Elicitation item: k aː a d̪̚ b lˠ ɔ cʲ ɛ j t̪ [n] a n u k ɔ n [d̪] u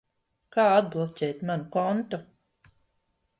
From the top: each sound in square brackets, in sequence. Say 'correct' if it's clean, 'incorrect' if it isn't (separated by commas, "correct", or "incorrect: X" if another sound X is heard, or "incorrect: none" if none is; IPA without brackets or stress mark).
incorrect: m, incorrect: t̪